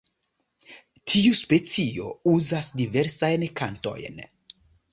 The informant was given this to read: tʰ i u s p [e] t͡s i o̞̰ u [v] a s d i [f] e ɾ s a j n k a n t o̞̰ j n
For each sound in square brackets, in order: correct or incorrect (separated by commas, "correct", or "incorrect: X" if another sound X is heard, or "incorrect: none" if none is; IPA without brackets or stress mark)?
correct, incorrect: z, incorrect: v